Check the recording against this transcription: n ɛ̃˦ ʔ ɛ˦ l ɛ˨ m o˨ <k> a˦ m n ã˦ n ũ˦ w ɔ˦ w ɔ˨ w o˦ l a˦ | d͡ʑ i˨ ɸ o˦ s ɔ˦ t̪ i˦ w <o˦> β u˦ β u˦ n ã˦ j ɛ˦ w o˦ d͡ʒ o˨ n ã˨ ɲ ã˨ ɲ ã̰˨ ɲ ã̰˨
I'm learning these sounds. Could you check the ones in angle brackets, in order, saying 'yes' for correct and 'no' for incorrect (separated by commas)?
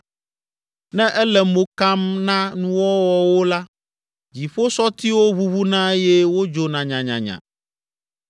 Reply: yes, yes